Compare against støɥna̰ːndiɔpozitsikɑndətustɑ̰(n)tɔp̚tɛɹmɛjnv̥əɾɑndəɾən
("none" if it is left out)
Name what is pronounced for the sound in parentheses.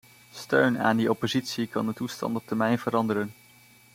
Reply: n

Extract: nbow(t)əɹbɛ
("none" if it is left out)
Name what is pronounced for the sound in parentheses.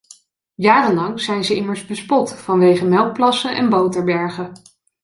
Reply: t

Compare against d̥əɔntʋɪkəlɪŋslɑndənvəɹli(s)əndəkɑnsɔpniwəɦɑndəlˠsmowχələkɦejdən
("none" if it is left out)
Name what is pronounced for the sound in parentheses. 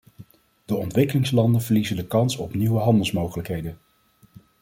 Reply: z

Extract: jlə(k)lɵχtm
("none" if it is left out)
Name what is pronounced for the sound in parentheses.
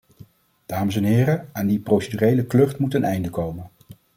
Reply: k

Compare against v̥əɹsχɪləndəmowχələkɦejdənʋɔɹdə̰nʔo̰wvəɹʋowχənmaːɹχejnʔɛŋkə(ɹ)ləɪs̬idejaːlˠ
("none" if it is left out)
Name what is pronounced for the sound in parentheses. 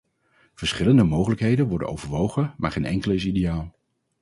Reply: none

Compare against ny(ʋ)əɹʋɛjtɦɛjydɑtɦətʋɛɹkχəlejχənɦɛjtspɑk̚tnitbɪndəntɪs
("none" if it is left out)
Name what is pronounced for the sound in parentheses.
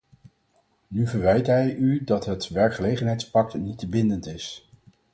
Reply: v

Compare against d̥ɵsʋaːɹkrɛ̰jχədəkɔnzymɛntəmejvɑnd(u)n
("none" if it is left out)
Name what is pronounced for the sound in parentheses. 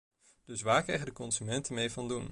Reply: u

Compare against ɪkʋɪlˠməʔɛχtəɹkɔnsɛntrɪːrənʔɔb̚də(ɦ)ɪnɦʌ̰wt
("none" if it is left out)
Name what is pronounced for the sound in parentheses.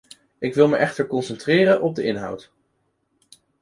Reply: none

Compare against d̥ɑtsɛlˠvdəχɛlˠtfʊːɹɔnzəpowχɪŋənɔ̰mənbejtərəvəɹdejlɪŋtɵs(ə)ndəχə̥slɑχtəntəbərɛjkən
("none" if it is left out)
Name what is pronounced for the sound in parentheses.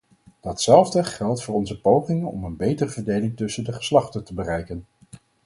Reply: ə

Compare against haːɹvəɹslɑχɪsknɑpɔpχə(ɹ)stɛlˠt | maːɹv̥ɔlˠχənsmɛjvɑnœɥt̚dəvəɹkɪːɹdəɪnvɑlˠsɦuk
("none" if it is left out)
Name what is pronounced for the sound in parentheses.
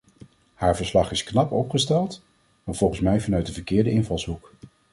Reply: none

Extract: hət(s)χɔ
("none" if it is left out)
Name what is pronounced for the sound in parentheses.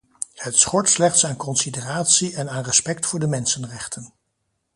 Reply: s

